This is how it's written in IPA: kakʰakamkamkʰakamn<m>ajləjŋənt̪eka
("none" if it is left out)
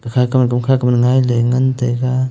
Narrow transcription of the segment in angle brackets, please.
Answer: ŋ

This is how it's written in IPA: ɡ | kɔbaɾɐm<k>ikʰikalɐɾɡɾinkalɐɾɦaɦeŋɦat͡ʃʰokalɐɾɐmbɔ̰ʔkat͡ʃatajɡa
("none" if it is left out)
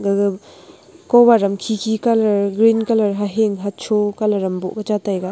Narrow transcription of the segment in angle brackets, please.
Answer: kʰ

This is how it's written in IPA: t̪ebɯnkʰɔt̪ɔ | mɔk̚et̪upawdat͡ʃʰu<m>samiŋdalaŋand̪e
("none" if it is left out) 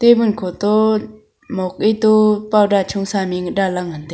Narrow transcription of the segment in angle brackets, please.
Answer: ŋ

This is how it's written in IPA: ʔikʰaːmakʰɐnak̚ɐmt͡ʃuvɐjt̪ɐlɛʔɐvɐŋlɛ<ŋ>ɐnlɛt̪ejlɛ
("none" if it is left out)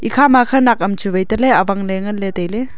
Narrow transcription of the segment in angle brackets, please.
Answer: ŋ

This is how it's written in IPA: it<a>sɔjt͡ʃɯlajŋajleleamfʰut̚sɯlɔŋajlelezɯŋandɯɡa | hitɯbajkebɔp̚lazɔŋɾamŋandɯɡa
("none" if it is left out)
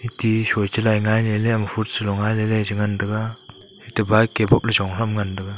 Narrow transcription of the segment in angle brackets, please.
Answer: i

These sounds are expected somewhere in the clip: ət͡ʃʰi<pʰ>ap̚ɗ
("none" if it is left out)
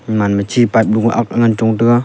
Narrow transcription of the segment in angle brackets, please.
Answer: p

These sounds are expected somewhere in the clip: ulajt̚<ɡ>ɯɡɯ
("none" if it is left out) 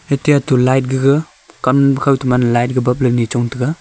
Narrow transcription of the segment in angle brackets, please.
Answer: ɡ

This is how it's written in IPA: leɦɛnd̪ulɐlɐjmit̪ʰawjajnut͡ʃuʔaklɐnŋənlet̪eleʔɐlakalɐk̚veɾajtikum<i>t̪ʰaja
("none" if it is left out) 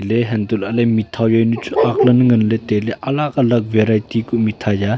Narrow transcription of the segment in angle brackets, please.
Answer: i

